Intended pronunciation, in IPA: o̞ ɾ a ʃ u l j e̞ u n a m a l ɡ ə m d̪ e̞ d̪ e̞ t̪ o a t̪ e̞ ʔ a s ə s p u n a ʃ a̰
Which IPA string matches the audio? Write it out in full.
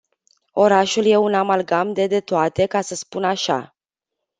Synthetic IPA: o̞ ɾ a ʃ u l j e̞ u n a m a l ɡ a m d̪ e̞ d̪ e̞ t̪ o a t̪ e̞ k a s ə s p u n a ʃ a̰

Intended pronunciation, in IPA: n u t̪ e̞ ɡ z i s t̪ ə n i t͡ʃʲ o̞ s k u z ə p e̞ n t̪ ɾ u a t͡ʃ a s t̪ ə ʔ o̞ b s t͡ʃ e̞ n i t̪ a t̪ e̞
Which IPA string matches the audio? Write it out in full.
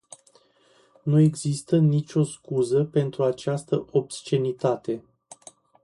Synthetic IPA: n u e̞ ɡ z i s t̪ ə n i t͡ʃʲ o̞ s k u z ə p e̞ n t̪ ɾ u a t͡ʃ a s t̪ ə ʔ o̞ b s t͡ʃ e̞ n i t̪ a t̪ e̞

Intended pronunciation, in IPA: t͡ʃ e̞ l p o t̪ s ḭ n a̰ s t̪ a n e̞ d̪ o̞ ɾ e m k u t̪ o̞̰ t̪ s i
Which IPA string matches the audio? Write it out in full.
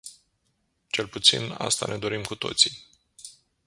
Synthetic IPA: t͡ʃ e̞ l p u t̪ s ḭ n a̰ s t̪ a n e̞ d̪ o̞ ɾ i m k u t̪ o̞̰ t̪ s i

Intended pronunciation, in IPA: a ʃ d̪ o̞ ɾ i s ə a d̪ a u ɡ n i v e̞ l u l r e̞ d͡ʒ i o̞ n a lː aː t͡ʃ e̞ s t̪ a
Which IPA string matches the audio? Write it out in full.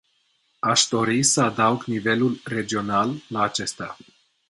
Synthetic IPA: a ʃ d̪ o̞ ɾ i s ə a d̪ a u ɡ n i v e̞ l u l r e̞ d͡ʒ i o̞ n a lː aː t͡ʃ e̞ s t̪ a

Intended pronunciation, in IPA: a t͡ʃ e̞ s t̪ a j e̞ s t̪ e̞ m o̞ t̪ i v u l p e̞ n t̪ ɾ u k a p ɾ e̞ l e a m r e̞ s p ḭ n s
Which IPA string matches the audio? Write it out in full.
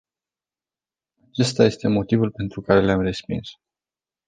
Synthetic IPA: a t͡ʃ e̞ s t̪ a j e̞ s t̪ e̞ m o̞ t̪ i v u l p e̞ n t̪ ɾ u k a ɾ e̞ l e a m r e̞ s p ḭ n s

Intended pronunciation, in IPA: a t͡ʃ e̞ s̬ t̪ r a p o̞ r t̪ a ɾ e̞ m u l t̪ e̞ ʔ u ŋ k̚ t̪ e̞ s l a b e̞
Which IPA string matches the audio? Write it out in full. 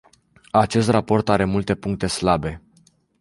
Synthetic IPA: a t͡ʃ e̞ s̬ t̪ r a p o̞ r t̪ a ɾ e̞ m u l t̪ e̞ p u ŋ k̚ t̪ e̞ s l a b e̞

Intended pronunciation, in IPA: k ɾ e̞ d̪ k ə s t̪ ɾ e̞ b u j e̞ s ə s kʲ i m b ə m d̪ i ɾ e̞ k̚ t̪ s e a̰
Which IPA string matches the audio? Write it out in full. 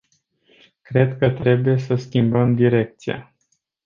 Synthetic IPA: k ɾ e̞ d̪ k ə t̪ ɾ e̞ b u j e̞ s ə s kʲ i m b ə m d̪ i ɾ e̞ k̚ t̪ s i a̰

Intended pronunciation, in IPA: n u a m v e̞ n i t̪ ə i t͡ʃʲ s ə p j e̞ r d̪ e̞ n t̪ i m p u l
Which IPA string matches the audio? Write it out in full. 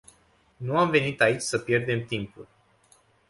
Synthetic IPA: n u a m v e̞ n i t̪ a i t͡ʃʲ s ə p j e̞ r d̪ e̞ m t̪ i m p u l

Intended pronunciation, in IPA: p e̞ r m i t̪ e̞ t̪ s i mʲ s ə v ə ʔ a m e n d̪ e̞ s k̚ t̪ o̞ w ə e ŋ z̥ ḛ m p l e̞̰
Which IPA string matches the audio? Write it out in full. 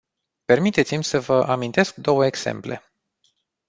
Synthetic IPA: p e̞ r m i t̪ e̞ t̪ s i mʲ s ə v ə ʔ a m i n t̪ e̞ s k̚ d̪ o̞ w ə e ɡ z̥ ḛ m p l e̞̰

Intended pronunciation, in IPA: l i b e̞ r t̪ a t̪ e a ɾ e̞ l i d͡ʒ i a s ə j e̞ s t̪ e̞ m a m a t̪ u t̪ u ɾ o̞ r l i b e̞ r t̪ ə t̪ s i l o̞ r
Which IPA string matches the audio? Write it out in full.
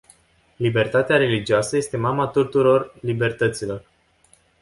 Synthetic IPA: l i b e̞ r t̪ a t̪ e a ɾ e̞ l i d͡ʒ i a s ə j e̞ s t̪ e̞ m a m a t̪ u t̪ u ɾ o̞ r l i b e̞ r t̪ ə t̪ s i l o̞ r

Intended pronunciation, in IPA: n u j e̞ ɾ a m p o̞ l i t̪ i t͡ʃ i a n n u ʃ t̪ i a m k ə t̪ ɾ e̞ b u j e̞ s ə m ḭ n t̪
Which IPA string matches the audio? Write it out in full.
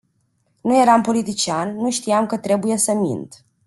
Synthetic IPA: n u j e̞ ɾ a m p o̞ l i t̪ i t͡ʃ i a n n u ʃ t̪ i a m k ə t̪ ɾ e̞ b u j e̞ s ə m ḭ n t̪

